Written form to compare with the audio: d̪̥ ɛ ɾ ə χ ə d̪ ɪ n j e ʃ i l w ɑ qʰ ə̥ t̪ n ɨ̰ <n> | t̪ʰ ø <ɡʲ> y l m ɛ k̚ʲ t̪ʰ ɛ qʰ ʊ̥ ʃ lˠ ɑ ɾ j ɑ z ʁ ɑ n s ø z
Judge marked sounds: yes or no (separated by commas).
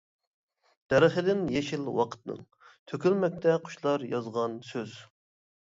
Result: no, no